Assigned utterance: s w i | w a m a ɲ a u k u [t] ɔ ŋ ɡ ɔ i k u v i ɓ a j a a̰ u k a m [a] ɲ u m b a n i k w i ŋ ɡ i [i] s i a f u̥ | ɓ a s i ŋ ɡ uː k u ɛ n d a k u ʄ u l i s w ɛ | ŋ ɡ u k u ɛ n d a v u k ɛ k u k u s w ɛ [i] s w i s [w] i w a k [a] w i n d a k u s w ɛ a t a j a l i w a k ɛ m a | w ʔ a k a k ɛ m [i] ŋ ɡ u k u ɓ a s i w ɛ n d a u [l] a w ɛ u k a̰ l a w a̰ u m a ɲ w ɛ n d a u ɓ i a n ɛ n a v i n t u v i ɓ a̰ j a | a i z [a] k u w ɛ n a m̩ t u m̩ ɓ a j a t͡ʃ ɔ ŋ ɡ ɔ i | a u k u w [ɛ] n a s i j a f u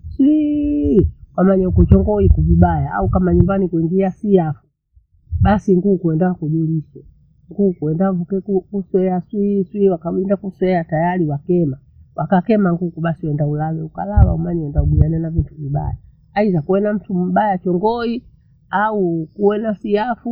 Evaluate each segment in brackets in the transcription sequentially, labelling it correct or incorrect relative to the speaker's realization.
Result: incorrect: t͡ʃ, correct, incorrect: a, incorrect: a, correct, correct, incorrect: a, correct, correct, correct

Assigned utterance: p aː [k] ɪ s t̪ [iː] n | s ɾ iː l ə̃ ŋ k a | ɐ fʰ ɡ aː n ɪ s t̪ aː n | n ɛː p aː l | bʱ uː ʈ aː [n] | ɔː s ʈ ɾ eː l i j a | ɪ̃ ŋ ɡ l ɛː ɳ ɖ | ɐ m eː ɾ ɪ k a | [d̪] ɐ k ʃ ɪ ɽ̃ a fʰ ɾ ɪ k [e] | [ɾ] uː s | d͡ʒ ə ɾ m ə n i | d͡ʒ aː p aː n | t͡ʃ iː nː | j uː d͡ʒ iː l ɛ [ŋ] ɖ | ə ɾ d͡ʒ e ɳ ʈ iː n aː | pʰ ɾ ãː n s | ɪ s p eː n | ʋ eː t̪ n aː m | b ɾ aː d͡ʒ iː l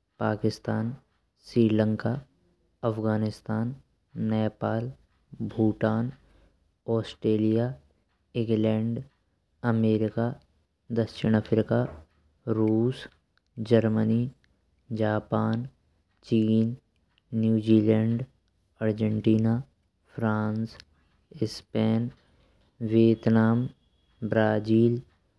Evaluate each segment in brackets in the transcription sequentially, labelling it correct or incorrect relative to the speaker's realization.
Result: correct, incorrect: aː, correct, correct, incorrect: a, correct, incorrect: ɳ

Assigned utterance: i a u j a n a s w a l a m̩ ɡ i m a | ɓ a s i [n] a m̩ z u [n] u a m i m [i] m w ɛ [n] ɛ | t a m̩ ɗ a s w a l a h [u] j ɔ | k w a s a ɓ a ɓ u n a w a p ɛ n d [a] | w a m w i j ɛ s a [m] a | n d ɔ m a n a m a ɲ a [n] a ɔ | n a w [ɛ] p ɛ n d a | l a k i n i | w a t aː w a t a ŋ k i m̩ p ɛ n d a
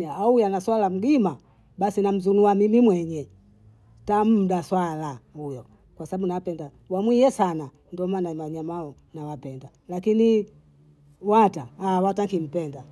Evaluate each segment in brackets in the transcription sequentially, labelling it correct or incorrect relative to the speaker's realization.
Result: correct, correct, correct, incorrect: ɲ, correct, correct, incorrect: n, incorrect: m, incorrect: a

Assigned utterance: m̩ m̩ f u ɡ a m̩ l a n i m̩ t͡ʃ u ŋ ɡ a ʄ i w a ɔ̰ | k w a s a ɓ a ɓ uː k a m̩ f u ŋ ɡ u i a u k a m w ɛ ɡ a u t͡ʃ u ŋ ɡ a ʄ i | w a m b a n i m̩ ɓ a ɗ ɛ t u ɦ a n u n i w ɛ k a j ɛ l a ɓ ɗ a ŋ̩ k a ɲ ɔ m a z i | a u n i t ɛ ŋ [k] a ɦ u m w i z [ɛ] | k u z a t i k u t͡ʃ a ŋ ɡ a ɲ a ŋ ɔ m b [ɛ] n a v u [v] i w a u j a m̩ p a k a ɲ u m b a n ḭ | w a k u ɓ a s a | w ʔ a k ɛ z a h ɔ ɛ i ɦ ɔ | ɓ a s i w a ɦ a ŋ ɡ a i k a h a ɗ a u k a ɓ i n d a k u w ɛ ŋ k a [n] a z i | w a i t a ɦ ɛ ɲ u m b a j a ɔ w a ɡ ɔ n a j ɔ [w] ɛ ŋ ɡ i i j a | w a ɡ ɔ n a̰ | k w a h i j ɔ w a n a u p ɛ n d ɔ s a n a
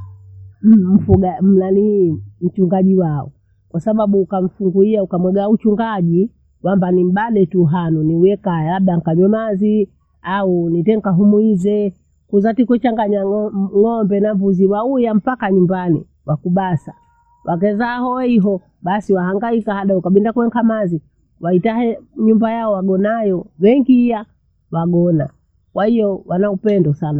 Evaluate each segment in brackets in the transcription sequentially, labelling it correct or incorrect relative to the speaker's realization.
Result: correct, correct, correct, incorrect: z, incorrect: m, correct

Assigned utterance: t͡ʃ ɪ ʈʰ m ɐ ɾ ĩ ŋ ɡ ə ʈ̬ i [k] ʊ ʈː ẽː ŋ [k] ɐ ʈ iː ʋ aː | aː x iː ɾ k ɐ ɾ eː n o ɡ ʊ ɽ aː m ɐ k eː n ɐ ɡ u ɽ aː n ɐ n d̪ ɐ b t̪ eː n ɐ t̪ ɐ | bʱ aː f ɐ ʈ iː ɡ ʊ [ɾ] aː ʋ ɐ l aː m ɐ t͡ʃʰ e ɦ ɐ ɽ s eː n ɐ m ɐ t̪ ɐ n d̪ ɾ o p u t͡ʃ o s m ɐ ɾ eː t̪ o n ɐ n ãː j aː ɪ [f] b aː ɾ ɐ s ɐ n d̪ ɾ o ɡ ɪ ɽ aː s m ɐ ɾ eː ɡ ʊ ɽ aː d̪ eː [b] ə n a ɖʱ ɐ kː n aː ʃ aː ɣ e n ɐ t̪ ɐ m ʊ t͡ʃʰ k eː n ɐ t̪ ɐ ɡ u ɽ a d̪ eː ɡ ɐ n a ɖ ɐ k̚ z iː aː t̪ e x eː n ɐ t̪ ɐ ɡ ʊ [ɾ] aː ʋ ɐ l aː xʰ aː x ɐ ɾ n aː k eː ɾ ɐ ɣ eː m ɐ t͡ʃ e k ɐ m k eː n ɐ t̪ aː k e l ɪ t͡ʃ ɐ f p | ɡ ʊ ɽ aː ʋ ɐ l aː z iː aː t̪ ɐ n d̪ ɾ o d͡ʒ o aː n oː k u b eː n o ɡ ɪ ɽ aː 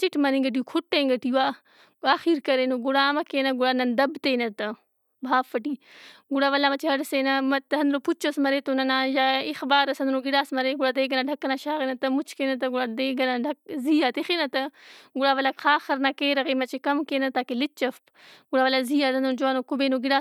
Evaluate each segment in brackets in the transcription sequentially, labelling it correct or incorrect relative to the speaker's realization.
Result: incorrect: kʰ, incorrect: ɡ, incorrect: ɽ, incorrect: x, incorrect: ɡ, incorrect: ɽ

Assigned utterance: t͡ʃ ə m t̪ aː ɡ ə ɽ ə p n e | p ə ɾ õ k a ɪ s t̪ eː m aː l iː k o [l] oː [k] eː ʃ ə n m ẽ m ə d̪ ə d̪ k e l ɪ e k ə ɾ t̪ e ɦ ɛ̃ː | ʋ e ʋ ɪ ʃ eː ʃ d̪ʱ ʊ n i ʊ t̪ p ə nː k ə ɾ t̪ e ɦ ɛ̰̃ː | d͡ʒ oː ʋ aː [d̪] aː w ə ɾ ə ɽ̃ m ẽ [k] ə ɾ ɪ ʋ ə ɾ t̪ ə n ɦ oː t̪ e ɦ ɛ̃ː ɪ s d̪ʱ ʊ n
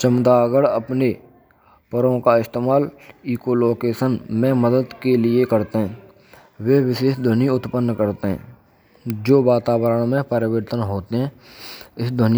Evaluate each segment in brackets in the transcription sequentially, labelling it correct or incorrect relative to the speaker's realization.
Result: correct, correct, incorrect: t̪, incorrect: p

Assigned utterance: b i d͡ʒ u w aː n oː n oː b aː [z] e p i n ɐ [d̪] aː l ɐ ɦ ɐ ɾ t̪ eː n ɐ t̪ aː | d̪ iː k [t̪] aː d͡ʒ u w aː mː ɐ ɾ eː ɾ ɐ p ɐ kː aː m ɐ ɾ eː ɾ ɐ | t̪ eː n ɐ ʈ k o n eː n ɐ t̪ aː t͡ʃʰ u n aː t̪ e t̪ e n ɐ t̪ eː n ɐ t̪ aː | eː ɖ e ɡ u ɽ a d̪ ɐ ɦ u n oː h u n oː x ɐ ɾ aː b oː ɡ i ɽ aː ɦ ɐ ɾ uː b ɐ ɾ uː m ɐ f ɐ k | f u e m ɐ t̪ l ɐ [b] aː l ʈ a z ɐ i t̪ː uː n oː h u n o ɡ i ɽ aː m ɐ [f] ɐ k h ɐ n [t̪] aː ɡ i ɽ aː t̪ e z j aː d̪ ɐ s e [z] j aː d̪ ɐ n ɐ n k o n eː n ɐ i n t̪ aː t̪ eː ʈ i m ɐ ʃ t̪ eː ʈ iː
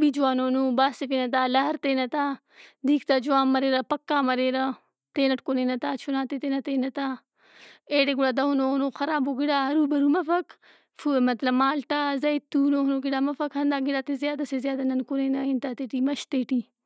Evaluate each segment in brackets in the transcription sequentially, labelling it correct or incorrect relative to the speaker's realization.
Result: incorrect: s, incorrect: t̪, correct, incorrect: m, correct, incorrect: d̪, correct

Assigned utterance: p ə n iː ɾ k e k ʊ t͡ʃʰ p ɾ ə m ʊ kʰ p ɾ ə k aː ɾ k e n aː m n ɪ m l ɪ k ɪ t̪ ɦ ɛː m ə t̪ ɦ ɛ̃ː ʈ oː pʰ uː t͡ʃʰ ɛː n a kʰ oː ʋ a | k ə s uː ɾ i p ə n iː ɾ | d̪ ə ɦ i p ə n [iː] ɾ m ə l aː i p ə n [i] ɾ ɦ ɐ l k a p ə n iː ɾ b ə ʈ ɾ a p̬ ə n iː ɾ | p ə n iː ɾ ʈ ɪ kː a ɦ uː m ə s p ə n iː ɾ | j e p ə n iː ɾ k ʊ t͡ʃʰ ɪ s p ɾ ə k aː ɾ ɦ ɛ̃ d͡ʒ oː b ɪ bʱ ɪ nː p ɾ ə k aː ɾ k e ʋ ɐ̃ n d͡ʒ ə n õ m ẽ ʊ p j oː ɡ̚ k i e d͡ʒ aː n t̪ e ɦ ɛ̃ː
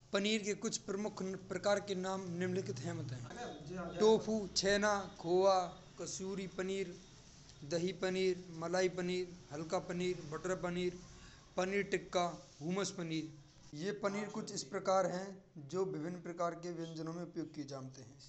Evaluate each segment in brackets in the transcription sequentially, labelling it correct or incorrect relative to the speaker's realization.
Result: correct, incorrect: iː

